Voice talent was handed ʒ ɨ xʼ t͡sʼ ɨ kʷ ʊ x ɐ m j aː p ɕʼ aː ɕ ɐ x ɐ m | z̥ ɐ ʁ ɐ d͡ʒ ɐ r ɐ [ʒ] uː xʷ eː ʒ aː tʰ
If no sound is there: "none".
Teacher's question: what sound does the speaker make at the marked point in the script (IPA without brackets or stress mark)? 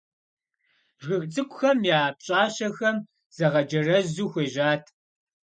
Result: z